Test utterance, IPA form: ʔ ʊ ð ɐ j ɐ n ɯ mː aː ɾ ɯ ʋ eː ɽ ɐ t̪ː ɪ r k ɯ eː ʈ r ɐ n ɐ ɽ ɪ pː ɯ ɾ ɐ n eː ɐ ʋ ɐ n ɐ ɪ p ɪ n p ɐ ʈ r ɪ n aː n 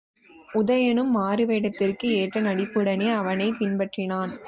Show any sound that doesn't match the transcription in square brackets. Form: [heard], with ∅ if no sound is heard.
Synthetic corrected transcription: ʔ ʊ ð ɐ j ɐ n ɯ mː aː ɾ ɯ ʋ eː ɽ ɐ t̪ː ɪ r k ɯ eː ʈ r ɐ n ɐ ɽ ɪ pː ɯ [ɽ] ɐ n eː ɐ ʋ ɐ n ɐ ɪ p ɪ n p ɐ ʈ r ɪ n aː n